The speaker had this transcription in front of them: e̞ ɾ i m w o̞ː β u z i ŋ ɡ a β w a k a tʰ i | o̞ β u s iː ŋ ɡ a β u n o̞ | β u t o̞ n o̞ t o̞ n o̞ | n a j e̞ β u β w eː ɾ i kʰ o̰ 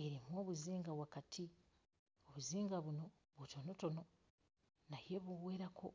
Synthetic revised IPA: e̞ ɾ i m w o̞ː β u z iː ŋ ɡ a β w a k a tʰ i | o̞ β u z iː ŋ ɡ a β u n o̞ | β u t o̞ n o̞ t o̞ n o̞ | n a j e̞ β u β w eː ɾ a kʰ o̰